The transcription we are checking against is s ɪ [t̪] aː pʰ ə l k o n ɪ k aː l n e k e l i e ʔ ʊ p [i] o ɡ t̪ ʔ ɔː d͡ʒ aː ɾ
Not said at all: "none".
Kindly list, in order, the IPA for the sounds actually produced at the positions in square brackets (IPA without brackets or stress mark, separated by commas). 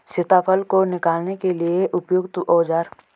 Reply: t̪, j